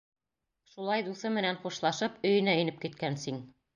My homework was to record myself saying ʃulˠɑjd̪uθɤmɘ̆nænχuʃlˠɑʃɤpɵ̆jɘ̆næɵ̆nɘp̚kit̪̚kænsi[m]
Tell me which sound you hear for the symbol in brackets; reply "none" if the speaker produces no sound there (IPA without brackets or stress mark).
ŋ